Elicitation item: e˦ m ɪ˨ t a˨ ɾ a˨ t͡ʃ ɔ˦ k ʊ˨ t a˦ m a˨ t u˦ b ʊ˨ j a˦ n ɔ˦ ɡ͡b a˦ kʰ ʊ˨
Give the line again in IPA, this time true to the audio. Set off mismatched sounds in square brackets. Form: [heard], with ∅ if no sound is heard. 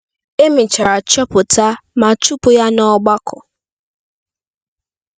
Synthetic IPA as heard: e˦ m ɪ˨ [t͡ʃ] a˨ ɾ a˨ t͡ʃ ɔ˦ [p] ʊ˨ t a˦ m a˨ [t͡ʃ] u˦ [p] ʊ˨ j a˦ n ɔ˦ ɡ͡b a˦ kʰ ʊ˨

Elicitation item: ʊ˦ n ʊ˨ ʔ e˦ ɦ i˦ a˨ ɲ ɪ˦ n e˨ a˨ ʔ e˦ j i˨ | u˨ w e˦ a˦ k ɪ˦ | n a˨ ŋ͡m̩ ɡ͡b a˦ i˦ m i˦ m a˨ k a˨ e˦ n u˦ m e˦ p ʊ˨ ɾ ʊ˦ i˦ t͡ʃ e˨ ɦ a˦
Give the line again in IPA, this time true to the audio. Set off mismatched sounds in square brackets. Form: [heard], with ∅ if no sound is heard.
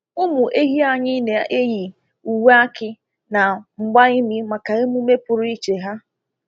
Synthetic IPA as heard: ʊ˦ [m] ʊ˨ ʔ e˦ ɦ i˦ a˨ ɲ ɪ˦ n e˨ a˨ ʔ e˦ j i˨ | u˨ w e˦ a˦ k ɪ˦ | n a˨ ŋ͡m̩ ɡ͡b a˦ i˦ m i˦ m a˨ k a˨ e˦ [m] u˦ m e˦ p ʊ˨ ɾ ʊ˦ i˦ t͡ʃ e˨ ɦ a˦

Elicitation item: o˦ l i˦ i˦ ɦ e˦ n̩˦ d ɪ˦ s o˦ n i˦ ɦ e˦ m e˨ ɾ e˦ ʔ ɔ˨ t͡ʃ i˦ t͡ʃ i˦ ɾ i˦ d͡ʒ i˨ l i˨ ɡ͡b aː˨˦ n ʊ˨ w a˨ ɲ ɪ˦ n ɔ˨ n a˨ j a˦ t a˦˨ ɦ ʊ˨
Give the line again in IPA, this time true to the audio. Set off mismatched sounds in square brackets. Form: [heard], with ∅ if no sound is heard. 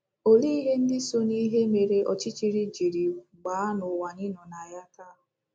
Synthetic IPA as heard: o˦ l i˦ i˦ ɦ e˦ n̩˦ d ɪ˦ s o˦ n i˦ ɦ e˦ m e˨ ɾ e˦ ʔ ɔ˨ t͡ʃ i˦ t͡ʃ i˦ ɾ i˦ d͡ʒ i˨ [ɾ] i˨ ɡ͡b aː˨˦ n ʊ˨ w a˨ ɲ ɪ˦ n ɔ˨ n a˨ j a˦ t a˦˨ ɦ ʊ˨

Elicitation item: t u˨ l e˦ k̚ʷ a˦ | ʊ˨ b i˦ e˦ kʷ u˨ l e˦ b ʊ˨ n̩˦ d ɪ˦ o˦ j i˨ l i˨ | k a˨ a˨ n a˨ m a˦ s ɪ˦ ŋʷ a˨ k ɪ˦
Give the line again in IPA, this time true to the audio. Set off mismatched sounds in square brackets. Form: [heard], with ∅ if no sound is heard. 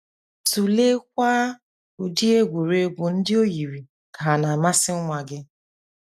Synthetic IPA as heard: t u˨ l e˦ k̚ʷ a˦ | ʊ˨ [d] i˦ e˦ [ɡʷ] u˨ [ɾ] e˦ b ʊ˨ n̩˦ d ɪ˦ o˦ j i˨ [ɾ] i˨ | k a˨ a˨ n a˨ m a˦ s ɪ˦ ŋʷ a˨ [ɡ] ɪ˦

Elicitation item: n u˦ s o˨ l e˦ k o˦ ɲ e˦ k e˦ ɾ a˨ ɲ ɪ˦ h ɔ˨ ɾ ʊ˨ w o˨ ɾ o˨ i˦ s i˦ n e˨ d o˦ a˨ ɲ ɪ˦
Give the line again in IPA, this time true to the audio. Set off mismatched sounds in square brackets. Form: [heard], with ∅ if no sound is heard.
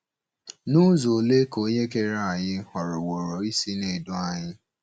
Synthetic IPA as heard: n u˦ [z] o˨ l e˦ k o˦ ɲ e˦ k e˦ ɾ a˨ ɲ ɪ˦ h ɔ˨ ɾ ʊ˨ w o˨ ɾ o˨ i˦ s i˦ n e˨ d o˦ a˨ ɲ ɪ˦

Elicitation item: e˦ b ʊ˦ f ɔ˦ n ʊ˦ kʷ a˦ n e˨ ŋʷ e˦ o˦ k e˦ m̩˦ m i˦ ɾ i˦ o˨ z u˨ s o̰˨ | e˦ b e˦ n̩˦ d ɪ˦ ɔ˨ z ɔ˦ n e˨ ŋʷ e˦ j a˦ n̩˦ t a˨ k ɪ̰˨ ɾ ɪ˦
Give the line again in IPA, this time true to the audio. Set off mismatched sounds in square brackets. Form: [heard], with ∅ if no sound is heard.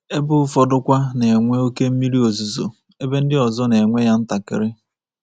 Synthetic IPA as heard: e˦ b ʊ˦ f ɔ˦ [d] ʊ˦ kʷ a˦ n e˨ ŋʷ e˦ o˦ k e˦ m̩˦ m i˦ ɾ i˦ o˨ z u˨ [z] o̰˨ | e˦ b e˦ n̩˦ d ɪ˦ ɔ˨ z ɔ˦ n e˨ ŋʷ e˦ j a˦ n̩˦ t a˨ k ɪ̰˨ ɾ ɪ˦

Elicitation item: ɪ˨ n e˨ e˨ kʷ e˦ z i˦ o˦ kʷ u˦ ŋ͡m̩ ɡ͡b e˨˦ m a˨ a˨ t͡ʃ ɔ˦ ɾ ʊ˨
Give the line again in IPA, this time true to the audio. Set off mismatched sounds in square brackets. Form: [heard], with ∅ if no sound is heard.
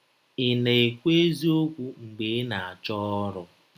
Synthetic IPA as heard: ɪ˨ n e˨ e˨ kʷ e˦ z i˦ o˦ kʷ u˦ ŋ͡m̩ ɡ͡b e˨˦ [n] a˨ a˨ t͡ʃ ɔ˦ ɾ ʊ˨

